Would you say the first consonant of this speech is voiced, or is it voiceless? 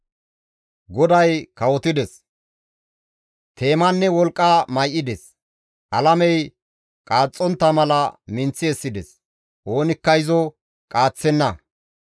voiced